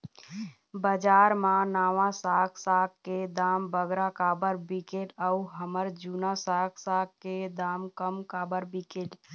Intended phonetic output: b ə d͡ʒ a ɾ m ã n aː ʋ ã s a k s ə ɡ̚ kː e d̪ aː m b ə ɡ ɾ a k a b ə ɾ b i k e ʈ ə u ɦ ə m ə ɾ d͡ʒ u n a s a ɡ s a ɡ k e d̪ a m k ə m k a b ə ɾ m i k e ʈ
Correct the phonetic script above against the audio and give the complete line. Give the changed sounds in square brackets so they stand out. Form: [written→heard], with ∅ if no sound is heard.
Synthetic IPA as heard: b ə d͡ʒ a ɾ m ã n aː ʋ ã s a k s [ə→a] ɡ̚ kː e d̪ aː m b ə ɡ ɾ a k a b ə ɾ b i k e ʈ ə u ɦ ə m ə ɾ d͡ʒ u n a s a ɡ s a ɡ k e d̪ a m k ə m k a b ə ɾ [m→b] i k e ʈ